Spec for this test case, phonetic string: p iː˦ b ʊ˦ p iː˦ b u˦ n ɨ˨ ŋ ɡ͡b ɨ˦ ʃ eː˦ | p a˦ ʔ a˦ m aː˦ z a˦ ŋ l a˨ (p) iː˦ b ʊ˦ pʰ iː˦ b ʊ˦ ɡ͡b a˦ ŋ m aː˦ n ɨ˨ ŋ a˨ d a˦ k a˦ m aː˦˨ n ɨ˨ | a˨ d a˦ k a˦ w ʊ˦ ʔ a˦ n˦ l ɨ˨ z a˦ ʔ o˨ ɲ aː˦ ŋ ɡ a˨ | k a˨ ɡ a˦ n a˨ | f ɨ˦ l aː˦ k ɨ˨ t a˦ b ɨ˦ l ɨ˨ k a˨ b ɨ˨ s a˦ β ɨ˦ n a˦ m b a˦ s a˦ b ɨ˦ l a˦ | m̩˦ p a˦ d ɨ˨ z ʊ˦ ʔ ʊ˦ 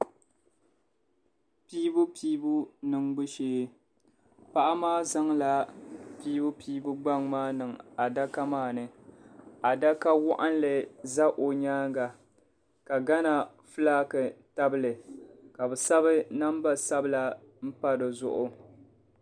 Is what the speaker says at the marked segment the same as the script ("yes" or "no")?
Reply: yes